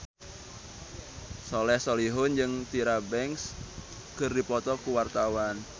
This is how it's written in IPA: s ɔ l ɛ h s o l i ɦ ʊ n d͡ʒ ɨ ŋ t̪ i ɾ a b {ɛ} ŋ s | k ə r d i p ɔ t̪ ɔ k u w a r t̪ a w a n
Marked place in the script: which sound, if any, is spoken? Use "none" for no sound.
ɛ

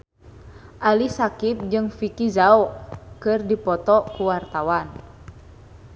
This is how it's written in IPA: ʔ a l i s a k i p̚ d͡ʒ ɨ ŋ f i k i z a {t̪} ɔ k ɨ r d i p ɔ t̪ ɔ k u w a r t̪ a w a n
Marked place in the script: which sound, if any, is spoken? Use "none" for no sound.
none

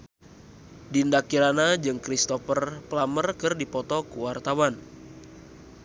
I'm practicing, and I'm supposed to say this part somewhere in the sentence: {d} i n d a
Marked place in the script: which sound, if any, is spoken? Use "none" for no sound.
d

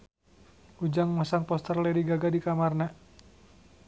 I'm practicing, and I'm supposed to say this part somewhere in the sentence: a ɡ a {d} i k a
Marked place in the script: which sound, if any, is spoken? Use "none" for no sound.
d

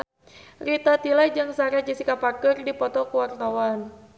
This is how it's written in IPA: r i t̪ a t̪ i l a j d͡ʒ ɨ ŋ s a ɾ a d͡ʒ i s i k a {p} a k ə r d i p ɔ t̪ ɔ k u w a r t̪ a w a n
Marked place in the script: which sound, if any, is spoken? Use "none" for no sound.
p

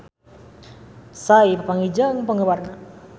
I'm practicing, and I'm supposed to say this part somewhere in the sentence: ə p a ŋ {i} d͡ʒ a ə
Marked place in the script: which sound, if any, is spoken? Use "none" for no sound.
i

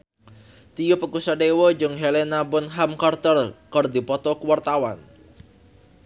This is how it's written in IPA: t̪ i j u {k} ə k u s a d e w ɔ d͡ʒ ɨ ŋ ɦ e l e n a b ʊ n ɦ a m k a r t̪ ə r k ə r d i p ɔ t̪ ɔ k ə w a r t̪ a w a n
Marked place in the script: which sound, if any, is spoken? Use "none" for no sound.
p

